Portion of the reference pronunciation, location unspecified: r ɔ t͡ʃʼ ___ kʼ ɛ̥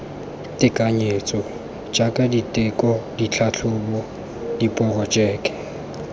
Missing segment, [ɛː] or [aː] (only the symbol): ɛː